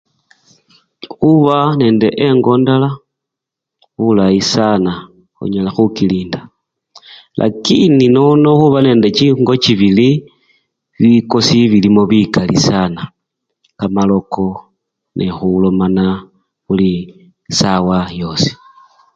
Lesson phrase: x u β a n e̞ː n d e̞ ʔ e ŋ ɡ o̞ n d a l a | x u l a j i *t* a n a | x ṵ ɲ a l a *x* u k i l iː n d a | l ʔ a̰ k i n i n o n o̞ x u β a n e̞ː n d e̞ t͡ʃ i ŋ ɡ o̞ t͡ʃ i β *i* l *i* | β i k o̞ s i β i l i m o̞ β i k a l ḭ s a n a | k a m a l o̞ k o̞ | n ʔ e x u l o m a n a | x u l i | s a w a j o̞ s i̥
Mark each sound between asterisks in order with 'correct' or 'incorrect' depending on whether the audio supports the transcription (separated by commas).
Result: incorrect, correct, correct, correct